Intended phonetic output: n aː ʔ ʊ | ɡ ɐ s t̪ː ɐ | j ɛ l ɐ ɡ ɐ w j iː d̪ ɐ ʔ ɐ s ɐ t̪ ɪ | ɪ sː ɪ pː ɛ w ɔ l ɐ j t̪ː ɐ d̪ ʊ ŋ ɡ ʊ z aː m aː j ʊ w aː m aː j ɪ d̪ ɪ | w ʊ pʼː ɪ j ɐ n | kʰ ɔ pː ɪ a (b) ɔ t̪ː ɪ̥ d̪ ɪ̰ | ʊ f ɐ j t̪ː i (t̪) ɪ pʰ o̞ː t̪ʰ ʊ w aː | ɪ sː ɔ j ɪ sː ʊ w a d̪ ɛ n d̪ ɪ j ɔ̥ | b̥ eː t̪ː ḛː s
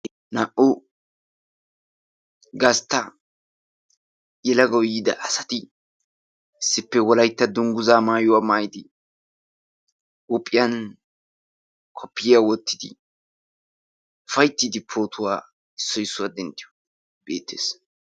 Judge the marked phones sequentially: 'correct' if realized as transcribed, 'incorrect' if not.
incorrect: w, incorrect: d̪

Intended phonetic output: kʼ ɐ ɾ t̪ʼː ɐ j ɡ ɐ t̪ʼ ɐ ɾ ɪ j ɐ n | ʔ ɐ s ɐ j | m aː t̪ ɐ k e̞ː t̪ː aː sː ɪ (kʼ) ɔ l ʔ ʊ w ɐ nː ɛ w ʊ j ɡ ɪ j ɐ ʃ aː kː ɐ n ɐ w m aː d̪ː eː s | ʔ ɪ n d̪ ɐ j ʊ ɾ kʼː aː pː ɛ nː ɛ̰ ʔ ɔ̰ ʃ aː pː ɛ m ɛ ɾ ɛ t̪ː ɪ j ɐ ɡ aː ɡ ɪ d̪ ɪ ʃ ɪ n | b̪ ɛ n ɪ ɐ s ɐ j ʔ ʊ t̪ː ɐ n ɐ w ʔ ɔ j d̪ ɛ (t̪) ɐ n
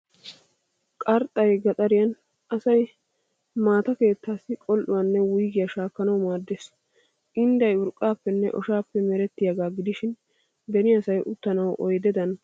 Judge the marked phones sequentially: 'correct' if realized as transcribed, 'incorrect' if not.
correct, incorrect: d̪

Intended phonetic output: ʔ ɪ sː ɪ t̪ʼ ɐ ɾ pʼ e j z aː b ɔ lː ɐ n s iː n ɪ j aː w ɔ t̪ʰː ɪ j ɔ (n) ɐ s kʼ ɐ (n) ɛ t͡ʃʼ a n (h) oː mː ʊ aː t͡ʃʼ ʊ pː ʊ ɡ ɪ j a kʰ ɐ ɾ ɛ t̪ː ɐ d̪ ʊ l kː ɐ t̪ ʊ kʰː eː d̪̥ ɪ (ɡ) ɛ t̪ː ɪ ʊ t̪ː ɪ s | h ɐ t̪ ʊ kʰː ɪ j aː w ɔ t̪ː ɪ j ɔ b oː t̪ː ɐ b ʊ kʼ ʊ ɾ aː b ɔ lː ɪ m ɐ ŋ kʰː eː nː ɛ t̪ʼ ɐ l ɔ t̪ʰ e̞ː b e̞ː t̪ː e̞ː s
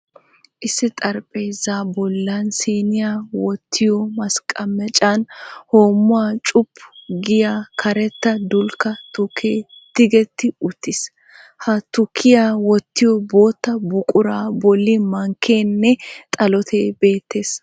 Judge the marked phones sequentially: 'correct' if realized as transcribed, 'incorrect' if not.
incorrect: m, incorrect: m, correct, correct

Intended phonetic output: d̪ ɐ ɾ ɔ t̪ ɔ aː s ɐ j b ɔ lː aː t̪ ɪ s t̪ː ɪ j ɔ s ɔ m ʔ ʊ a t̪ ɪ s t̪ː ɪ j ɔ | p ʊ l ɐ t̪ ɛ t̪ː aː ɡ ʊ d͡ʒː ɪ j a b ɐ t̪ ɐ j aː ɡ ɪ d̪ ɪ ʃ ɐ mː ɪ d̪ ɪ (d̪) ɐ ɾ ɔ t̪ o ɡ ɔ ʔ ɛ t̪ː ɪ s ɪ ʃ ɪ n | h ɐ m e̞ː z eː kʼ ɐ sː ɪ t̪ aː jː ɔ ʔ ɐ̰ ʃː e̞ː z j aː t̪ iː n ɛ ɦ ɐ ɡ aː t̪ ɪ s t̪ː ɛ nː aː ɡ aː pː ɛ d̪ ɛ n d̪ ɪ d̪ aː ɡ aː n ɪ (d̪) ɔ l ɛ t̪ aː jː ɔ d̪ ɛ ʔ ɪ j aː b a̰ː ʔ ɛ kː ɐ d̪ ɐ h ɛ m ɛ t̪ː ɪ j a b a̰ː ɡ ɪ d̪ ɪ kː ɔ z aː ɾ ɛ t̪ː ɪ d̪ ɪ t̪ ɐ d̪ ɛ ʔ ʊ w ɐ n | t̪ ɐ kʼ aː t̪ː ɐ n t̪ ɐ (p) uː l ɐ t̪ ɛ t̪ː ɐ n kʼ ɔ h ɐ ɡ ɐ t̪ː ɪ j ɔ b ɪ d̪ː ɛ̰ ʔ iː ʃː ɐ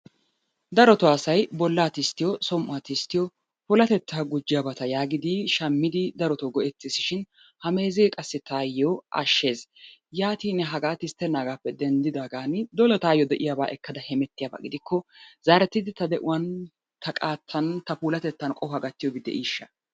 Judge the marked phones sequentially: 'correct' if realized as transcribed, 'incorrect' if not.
correct, correct, correct

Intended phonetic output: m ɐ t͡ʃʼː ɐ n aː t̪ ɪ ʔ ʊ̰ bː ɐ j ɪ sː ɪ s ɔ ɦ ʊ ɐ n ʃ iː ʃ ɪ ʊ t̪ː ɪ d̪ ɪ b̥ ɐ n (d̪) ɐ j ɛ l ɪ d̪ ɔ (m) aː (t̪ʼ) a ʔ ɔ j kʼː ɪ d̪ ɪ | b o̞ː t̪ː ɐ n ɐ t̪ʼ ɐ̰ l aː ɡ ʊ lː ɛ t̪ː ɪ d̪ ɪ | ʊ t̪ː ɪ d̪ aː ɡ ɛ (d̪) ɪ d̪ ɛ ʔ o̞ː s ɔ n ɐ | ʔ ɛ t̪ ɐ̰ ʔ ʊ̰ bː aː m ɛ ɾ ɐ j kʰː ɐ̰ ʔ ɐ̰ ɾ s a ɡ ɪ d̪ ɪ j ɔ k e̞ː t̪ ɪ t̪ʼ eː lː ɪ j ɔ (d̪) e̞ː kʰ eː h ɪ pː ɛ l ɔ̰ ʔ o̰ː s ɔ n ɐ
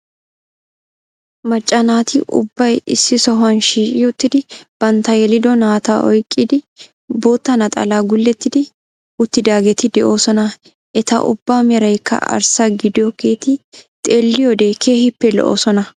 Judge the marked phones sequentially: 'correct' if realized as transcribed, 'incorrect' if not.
incorrect: t̪, incorrect: n, incorrect: t̪, incorrect: t̪, correct

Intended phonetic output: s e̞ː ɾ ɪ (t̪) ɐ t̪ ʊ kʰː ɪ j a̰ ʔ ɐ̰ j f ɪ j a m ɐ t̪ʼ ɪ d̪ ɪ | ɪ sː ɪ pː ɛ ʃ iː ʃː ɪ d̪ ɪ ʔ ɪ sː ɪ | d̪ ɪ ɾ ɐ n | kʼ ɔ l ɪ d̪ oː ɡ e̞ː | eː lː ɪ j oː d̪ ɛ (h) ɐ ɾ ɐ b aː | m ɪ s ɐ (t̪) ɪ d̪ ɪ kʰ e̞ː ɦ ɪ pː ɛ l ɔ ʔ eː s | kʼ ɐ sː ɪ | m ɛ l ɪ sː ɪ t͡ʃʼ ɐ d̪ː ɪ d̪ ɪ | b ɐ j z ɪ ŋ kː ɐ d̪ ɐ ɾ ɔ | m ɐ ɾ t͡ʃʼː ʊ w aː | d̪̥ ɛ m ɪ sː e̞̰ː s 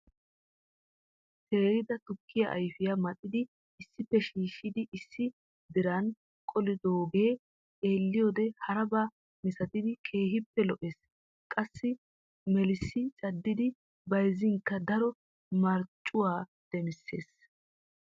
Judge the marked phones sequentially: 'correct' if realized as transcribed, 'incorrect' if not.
incorrect: d̪, correct, correct

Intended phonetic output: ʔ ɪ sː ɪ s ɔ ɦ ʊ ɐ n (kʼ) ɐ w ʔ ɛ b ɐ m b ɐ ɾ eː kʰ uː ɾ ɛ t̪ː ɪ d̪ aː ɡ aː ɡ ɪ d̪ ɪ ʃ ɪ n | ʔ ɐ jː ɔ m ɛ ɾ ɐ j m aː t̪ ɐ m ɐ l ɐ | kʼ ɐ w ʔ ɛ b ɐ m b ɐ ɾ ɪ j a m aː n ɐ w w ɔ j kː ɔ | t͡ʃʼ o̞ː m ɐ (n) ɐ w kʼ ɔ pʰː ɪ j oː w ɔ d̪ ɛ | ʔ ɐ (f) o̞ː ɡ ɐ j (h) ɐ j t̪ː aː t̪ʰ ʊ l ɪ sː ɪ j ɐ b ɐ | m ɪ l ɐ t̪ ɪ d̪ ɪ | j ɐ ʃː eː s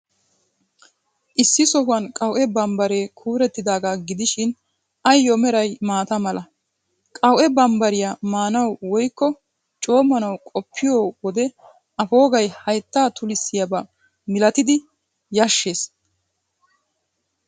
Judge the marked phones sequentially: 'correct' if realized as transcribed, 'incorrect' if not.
correct, correct, correct, correct

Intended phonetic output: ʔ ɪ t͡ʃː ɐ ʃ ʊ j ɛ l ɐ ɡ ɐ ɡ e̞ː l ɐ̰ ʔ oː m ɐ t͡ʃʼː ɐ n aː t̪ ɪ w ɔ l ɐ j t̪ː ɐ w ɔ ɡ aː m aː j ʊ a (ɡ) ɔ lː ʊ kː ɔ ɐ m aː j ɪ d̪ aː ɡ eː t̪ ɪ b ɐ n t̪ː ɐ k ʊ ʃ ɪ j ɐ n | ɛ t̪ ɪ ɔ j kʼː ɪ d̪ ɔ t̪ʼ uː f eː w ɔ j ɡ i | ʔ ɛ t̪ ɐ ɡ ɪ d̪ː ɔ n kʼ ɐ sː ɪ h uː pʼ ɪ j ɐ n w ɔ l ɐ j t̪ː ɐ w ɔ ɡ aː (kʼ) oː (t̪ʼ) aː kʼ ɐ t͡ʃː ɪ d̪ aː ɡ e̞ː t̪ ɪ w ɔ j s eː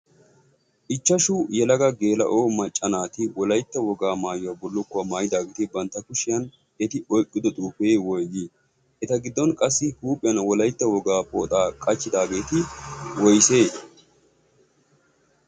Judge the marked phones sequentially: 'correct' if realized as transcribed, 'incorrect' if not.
incorrect: b, incorrect: pʼ, correct

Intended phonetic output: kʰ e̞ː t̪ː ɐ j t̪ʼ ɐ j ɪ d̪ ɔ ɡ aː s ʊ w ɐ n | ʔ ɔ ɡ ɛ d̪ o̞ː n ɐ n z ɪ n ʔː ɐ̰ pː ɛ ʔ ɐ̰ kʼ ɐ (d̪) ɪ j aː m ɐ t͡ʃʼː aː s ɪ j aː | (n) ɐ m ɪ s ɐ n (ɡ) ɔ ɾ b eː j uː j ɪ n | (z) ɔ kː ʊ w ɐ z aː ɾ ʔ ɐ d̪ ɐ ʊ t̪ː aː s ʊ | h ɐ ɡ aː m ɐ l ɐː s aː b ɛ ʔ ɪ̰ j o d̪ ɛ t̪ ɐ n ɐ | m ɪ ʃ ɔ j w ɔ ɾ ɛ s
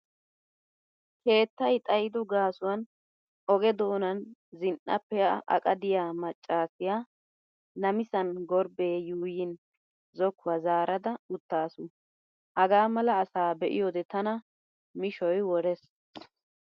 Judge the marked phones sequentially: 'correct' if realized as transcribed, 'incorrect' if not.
correct, correct, correct, correct

